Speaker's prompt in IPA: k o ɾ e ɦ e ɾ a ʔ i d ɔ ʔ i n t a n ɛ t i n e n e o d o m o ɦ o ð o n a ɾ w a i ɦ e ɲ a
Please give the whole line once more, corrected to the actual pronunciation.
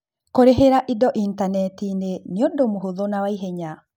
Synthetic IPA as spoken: k o ɾ e ɦ e ɾ a ʔ i d ɔ ʔ i n t a n ɛ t i n e n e o d o m o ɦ o ð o n a w a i ɦ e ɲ a